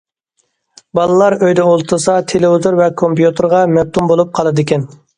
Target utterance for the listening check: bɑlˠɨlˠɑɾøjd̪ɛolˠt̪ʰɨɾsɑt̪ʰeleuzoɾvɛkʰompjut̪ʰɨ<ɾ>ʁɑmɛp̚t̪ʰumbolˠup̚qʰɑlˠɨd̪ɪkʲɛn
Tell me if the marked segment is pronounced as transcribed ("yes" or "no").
yes